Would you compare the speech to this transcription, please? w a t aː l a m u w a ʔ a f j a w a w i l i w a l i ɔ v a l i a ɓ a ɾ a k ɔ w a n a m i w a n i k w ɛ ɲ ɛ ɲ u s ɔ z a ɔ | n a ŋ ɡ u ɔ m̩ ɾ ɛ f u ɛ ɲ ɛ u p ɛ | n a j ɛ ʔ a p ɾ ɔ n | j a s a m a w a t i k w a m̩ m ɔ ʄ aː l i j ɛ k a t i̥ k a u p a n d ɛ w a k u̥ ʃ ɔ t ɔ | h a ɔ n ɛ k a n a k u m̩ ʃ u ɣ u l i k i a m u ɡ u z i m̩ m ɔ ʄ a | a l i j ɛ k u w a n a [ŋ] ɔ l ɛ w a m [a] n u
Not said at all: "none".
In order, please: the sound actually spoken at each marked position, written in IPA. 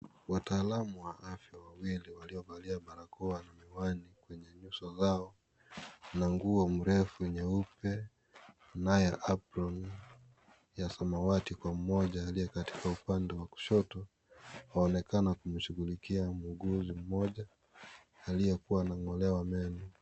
ŋ, ɛ

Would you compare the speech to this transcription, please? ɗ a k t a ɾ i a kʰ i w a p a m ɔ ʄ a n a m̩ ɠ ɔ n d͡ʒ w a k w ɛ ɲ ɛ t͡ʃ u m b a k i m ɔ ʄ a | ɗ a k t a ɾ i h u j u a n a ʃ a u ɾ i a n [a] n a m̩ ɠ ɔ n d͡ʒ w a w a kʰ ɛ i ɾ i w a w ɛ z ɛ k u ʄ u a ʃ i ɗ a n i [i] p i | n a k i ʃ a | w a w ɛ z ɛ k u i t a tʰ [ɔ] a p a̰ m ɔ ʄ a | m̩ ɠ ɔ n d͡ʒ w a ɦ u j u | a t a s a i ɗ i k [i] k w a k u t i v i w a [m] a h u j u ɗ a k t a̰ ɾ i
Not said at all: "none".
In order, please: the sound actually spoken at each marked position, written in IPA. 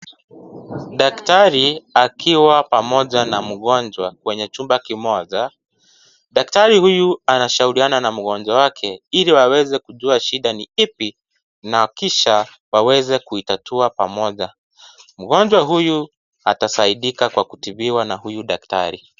a, i, u, a, n

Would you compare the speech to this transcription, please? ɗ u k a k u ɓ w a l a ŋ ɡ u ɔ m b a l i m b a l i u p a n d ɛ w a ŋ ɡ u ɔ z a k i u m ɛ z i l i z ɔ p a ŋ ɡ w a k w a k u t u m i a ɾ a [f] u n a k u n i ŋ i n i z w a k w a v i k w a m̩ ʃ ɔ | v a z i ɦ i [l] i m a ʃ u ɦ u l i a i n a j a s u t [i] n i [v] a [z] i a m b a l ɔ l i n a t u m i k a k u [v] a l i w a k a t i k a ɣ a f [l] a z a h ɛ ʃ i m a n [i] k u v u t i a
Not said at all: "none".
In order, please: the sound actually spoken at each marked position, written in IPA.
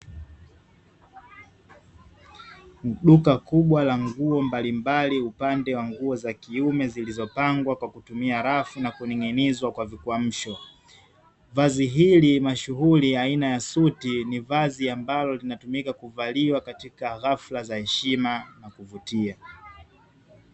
f, l, i, v, z, v, l, a

